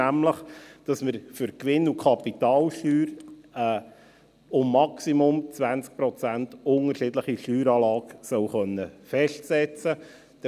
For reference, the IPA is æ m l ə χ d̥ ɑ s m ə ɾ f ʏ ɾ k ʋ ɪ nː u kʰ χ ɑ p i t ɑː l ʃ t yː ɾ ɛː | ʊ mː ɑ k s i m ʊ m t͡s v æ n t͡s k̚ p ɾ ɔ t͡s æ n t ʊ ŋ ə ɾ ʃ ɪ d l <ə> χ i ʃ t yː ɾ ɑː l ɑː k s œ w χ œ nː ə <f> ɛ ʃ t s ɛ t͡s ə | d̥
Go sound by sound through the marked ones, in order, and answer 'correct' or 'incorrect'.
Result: correct, correct

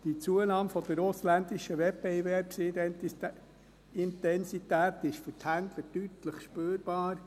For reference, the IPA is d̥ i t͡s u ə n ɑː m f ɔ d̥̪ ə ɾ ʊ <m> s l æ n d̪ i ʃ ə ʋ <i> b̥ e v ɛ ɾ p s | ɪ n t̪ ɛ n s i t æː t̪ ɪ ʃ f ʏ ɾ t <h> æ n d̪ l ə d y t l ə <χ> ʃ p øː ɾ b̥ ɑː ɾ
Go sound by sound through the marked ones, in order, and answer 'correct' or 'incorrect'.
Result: incorrect: none, incorrect: ɛ, correct, correct

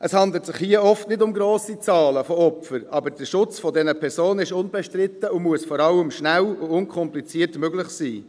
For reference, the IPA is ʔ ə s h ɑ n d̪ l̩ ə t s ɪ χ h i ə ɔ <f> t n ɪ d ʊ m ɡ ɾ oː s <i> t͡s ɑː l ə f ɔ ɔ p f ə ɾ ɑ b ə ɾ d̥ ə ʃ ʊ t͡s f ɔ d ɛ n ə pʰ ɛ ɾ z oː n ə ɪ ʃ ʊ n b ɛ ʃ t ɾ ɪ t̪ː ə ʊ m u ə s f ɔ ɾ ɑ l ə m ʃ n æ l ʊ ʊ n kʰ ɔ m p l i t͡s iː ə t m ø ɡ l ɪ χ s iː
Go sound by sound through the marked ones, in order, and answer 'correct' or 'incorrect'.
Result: correct, correct

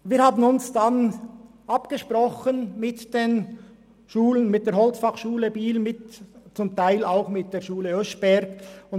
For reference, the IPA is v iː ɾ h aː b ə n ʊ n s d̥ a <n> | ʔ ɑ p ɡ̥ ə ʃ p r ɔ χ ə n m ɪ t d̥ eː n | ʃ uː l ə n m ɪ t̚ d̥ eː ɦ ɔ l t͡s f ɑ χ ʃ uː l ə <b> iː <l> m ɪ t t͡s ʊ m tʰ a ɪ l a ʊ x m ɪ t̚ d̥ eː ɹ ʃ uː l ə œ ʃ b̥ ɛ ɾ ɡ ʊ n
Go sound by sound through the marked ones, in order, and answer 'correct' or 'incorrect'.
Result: correct, correct, correct

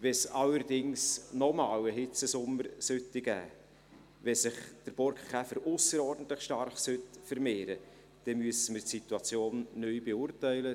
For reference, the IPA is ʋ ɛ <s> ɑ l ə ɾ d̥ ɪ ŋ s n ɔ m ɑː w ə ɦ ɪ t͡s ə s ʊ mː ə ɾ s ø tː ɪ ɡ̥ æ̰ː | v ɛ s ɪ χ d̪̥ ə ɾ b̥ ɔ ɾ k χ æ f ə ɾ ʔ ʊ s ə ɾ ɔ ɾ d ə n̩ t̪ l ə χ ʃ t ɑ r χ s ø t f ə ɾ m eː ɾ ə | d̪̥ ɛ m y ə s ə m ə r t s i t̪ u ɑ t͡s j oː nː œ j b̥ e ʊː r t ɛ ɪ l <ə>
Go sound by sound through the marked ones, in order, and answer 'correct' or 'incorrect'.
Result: correct, correct

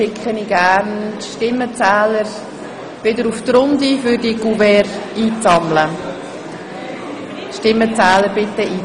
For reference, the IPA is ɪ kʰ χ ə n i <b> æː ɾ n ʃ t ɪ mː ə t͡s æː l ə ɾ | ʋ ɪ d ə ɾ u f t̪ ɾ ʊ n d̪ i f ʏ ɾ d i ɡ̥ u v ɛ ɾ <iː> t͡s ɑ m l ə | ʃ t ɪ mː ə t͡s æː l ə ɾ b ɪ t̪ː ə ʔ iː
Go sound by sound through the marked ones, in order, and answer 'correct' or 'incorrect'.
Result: incorrect: ɡ, correct

